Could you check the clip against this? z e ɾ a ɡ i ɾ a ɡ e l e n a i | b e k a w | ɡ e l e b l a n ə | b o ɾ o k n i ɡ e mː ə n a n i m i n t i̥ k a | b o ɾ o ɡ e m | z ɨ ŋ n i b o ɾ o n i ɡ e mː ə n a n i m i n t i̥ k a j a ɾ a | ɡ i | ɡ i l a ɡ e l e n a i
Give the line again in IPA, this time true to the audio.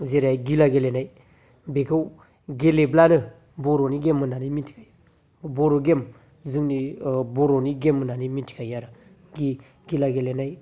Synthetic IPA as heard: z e ɾ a ɡ i l a ɡ e l e n a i | b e k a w | ɡ e l e b l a n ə | b o ɾ o n i ɡ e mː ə n a n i m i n t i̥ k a | b o ɾ o ɡ e m | z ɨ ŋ n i b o ɾ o n i ɡ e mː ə n a n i m i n t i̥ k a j a ɾ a | ɡ i | ɡ i l a ɡ e l e n a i

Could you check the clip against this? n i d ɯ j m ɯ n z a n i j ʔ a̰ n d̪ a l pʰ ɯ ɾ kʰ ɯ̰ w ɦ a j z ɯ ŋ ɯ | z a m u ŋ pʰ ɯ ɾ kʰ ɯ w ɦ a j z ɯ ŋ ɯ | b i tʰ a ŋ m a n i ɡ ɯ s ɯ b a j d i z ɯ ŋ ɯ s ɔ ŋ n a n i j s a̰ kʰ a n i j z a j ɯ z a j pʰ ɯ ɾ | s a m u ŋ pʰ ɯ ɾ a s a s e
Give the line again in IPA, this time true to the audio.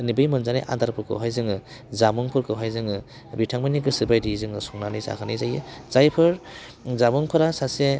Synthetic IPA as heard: n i b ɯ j m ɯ n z a n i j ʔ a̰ n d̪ a ɾ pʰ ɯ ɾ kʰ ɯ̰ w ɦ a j z ɯ ŋ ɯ | z a m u ŋ pʰ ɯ ɾ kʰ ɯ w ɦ a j z ɯ ŋ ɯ | b i tʰ a ŋ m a n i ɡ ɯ s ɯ b a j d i z ɯ ŋ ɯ s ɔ ŋ n a n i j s a̰ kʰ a n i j z a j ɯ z a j pʰ ɯ ɾ | z a m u ŋ pʰ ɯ ɾ a s a s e

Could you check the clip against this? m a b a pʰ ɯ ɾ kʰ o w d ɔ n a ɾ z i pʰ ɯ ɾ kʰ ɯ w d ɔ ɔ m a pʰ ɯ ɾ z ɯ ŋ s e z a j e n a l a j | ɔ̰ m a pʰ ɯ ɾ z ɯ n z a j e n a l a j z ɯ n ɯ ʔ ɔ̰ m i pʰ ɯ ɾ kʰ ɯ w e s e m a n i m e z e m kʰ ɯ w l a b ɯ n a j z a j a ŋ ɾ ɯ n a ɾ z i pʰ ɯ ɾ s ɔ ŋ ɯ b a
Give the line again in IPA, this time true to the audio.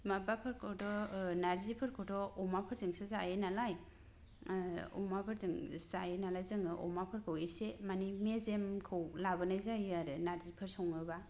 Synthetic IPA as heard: m a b a pʰ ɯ ɾ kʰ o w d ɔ n a ɾ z i pʰ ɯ ɾ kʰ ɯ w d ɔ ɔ m a pʰ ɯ ɾ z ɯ ŋ s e z a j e n a l a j | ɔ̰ m a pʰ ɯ ɾ z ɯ ŋ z a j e n a l a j z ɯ ŋ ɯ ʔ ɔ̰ m a pʰ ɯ ɾ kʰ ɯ w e s e m a n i m e z e m kʰ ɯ w l a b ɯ n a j z a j a ɾ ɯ n a ɾ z i pʰ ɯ ɾ s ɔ ŋ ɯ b a

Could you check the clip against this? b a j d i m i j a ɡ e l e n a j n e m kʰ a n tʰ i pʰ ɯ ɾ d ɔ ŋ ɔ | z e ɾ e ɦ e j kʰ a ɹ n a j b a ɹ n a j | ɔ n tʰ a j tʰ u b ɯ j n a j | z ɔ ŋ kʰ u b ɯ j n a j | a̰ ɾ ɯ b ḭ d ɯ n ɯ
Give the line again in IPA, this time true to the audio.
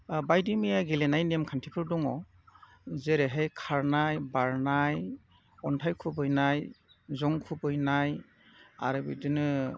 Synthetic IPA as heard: b a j d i m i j a ɡ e l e n a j n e m kʰ a n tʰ i pʰ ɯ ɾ d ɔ ŋ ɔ | z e ɾ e ɦ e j kʰ a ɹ n a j b a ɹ n a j | ɔ n tʰ a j kʰ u b ɯ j n a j | z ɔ ŋ kʰ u b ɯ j n a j | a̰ ɾ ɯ b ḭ d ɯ n ɯ

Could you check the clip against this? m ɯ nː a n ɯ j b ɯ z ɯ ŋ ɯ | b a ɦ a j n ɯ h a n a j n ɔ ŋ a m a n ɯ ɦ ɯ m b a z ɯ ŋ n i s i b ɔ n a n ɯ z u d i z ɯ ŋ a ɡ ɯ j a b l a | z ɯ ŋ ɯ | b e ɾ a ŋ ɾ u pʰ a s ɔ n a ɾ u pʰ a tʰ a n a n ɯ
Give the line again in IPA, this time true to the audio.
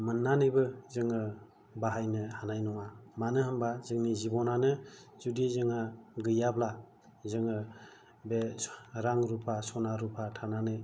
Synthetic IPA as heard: m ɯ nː a n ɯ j b ɯ z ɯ ŋ ɯ | b a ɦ a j n ɯ h a n a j n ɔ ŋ a m a n ɯ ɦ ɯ m b a z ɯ ŋ n i z i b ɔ n a n ɯ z u d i z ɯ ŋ a ɡ ɯ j a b l a | z ɯ ŋ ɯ | b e ɾ a ŋ ɾ u pʰ a s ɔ n a ɾ u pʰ a tʰ a n a n ɯ

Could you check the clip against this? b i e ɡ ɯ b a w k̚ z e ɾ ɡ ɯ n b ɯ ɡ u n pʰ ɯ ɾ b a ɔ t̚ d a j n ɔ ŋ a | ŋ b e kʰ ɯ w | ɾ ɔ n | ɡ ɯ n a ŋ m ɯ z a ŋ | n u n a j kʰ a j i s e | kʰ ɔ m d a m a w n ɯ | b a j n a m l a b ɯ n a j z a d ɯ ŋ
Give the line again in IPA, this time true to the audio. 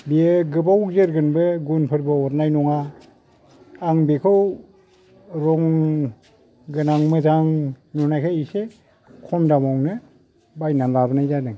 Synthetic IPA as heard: b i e ɡ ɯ b a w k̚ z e ɾ ɡ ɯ n b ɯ ɡ u n pʰ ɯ ɾ b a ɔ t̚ n a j n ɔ ŋ a | ŋ b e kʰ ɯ w | ɾ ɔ ŋ | ɡ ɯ n a ŋ m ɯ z a ŋ | n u n a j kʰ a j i s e | kʰ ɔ m d a m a w n ɯ | b a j n a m l a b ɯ n a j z a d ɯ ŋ

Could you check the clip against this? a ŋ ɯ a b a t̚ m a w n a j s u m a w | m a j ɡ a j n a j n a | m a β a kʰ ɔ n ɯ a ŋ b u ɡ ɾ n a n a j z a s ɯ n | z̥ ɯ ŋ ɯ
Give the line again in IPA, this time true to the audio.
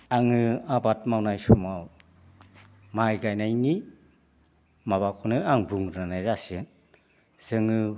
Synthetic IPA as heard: a ŋ ɯ a b a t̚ m a w n a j s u m a w | m a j ɡ a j n a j n i | m a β a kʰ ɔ n ɯ a ŋ b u ŋ ɾ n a n a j z a s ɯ n | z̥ ɯ ŋ ɯ

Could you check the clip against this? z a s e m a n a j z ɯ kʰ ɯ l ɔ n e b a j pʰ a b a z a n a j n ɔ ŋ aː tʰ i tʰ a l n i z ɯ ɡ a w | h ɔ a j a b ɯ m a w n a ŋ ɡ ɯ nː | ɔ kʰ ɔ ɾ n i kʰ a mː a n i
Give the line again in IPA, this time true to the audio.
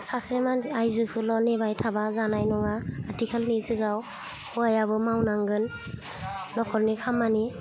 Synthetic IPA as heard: s a s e m a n a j z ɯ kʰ ɯ l ɔ n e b a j tʰ a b a z a n a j n ɔ ŋ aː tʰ i kʰ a l n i z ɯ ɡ a w | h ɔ a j a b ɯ m a w n a ŋ ɡ ɯ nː | ɔ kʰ ɔ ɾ n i kʰ a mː a n i

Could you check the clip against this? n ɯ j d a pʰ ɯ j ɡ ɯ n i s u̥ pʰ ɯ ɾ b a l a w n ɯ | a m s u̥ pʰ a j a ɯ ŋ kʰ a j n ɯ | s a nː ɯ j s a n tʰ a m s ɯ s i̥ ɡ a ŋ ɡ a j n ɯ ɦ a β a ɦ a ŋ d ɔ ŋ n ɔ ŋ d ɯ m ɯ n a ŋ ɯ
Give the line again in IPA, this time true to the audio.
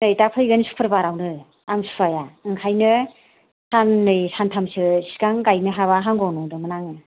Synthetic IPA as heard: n ɯ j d a pʰ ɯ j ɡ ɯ n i s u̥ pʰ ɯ ɾ b a ɾ a w n ɯ | a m s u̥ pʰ a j a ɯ ŋ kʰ a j n ɯ | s a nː ɯ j s a n tʰ a m s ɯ s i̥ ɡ a ŋ ɡ a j n ɯ ɦ a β a ɦ a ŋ ɡ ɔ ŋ n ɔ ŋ d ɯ m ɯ n a ŋ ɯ

